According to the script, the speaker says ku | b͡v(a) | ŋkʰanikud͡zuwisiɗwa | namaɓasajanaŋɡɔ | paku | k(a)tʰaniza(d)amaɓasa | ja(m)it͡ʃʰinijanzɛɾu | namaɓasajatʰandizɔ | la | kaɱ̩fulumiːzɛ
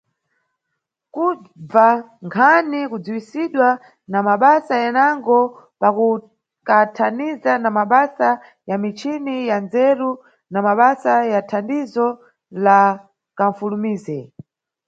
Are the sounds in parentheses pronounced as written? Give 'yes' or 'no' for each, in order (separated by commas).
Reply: yes, yes, no, yes